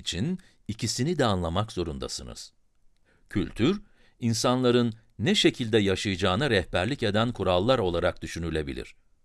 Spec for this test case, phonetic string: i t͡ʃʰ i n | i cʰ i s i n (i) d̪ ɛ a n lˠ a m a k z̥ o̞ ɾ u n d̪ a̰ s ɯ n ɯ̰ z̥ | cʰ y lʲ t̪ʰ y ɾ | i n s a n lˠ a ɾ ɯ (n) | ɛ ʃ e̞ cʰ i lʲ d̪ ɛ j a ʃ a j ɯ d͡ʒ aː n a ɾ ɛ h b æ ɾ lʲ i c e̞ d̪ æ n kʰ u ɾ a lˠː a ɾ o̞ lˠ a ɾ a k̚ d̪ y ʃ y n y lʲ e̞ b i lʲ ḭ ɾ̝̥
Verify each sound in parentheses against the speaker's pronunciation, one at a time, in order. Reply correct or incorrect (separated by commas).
correct, incorrect